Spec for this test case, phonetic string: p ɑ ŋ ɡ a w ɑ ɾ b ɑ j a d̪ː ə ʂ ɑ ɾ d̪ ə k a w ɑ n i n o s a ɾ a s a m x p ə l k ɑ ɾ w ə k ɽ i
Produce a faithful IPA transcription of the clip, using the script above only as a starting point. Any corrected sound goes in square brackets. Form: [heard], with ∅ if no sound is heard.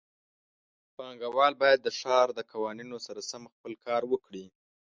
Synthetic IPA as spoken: p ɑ ŋ ɡ a w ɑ [l] b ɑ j a d̪ː ə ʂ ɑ ɾ d̪ ə k a w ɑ n i n o s a ɾ a s a m x p ə l k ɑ ɾ w ə k ɽ i